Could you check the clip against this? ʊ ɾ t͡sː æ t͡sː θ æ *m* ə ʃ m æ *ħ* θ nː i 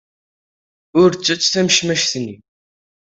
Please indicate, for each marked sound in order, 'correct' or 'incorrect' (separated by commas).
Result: correct, incorrect